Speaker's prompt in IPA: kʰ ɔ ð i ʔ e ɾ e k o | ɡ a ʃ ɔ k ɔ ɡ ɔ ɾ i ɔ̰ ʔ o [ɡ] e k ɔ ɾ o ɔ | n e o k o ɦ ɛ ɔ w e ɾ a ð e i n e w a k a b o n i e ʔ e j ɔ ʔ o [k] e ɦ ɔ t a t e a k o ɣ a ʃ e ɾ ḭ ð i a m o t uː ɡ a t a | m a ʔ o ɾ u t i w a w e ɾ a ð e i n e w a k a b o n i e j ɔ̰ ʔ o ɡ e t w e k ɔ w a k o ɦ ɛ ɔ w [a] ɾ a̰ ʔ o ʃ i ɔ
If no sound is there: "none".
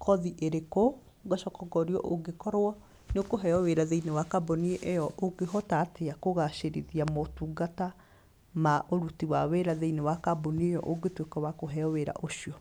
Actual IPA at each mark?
ɡ, ɡ, e

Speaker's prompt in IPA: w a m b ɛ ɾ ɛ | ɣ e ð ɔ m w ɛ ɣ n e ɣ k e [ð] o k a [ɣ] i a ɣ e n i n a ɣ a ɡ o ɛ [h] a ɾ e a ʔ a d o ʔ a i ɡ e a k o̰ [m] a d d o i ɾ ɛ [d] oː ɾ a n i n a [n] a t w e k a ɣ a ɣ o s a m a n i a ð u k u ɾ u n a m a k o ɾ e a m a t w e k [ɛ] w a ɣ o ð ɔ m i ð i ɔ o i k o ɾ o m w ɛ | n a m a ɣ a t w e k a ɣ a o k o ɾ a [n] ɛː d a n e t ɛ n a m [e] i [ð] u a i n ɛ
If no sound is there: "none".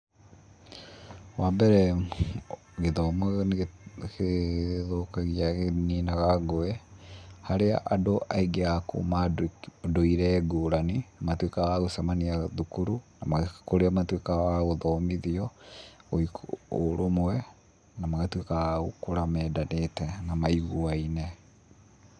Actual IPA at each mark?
ð, ɣ, h, m, ɡ, m, a, m, a, ɣ

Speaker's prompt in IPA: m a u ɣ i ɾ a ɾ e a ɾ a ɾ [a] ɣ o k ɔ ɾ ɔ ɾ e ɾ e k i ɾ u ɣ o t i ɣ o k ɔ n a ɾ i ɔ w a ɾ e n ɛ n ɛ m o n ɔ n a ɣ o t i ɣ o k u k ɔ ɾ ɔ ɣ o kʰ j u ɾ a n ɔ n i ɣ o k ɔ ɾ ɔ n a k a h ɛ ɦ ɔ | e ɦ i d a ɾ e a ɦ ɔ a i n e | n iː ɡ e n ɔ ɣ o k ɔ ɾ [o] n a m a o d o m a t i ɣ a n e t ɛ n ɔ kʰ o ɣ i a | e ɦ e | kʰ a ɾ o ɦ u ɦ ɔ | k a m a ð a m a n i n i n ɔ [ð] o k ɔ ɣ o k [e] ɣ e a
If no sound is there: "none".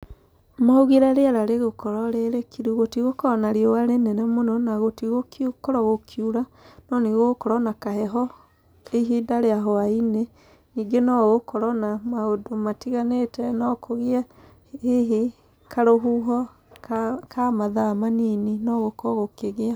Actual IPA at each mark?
e, ɔ, ɣ, e

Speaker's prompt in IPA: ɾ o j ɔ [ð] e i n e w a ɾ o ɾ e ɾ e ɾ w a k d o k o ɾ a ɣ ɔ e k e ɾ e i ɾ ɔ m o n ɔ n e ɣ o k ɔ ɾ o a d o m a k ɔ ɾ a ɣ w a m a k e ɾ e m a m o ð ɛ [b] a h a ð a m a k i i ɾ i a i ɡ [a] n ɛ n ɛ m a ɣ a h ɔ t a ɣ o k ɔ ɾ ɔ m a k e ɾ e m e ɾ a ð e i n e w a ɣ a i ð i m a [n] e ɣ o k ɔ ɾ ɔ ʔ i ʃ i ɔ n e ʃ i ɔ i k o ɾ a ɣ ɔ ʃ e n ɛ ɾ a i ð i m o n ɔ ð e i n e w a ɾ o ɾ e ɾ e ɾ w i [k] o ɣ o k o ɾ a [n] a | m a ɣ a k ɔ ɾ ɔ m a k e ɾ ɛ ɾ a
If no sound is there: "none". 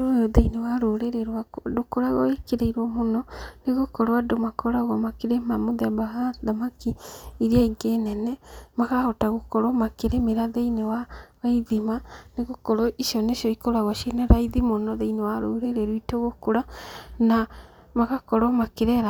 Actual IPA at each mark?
ð, b, e, n, t, n

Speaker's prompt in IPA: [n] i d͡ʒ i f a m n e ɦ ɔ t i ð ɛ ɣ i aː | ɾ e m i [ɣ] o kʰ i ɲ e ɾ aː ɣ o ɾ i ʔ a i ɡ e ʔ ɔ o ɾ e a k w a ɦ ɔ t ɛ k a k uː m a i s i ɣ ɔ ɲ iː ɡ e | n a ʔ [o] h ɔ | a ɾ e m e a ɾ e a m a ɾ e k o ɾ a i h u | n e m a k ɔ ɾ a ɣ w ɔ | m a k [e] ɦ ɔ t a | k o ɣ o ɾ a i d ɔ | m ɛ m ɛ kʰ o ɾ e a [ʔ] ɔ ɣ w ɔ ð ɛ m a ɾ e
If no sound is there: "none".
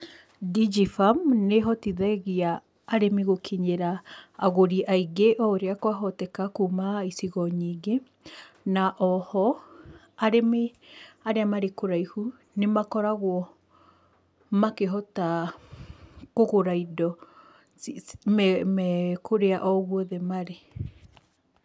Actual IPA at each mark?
d, ɣ, ɔ, e, ʔ

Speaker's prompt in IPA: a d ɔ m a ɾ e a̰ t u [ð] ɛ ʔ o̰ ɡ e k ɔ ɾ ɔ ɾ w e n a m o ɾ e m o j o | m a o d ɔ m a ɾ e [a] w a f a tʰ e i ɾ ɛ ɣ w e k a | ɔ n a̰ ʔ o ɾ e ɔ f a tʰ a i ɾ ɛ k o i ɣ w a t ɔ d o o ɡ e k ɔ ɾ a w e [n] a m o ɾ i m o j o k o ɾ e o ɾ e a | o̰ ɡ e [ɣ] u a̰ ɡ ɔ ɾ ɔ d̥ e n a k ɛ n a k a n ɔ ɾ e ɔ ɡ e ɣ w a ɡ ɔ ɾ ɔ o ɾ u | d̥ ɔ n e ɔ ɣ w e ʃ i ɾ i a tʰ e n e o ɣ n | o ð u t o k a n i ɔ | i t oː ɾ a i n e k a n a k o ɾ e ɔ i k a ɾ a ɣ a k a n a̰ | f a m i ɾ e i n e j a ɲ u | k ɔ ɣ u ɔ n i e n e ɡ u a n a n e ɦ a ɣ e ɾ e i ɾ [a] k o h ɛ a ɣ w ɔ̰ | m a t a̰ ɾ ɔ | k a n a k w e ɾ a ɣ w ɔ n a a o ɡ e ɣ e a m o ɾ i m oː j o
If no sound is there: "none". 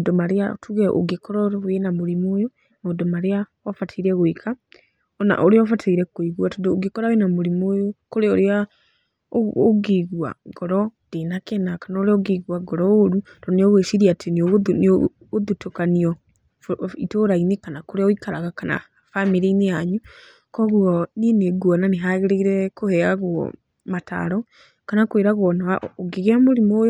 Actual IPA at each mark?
ɣ, a, n, ɣ, ɛ

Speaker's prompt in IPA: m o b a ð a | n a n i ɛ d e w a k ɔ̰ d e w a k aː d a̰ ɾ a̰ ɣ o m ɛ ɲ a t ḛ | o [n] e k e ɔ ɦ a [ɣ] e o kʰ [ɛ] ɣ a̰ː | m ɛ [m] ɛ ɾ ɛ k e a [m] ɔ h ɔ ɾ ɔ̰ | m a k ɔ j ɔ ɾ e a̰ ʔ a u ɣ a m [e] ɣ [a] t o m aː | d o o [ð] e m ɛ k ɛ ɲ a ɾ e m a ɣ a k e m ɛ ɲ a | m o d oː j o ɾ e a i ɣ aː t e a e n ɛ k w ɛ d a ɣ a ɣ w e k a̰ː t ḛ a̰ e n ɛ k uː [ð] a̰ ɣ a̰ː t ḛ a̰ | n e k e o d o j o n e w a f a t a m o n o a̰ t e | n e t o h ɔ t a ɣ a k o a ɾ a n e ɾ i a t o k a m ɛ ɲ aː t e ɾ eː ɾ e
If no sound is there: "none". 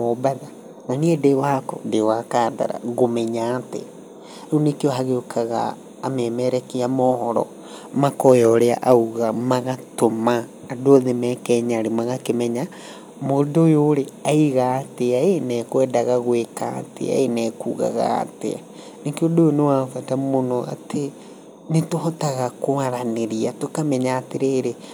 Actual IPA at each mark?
n, ɣ, a, m, m, a, a, ð, ɣ

